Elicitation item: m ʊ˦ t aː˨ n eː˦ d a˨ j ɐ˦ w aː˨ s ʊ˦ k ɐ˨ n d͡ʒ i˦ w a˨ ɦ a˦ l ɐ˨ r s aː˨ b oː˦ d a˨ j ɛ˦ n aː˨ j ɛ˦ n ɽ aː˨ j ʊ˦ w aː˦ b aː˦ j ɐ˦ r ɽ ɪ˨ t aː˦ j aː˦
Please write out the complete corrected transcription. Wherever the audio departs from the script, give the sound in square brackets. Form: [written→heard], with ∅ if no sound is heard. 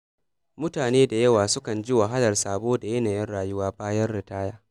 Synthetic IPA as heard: m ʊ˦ t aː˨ n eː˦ d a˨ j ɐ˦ w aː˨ s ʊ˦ k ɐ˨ n d͡ʒ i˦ w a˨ ɦ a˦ l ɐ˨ r s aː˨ b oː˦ d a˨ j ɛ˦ n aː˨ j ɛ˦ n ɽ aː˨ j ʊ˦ w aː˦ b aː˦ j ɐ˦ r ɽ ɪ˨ t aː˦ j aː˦